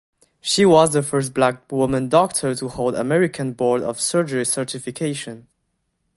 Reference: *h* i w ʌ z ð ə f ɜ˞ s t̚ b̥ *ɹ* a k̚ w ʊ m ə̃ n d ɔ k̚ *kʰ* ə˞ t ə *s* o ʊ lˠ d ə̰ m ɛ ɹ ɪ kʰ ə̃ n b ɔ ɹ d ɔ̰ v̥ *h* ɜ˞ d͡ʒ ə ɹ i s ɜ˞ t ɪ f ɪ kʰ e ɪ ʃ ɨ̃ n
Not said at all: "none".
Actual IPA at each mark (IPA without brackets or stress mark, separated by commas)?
ʃ, l, tʰ, h, s